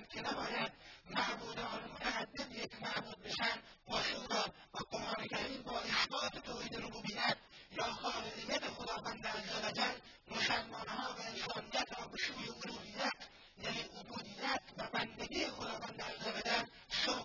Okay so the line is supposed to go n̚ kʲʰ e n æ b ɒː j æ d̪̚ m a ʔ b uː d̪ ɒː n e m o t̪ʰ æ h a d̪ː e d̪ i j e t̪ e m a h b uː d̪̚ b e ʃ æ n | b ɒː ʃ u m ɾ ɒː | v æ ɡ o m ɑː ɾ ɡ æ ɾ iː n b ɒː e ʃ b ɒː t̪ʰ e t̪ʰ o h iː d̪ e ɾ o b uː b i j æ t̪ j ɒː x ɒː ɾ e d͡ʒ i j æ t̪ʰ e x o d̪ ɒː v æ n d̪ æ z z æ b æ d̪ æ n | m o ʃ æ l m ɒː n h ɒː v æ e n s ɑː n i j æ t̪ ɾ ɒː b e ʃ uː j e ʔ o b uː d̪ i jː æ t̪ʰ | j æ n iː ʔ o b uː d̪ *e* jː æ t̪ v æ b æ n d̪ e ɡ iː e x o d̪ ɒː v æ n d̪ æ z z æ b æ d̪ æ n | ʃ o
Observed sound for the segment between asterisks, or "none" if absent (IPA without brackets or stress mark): i